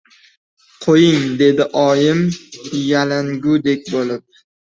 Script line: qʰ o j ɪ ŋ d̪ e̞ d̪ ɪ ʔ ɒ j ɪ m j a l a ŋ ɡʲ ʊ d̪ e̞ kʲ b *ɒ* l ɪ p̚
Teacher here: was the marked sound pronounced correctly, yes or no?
no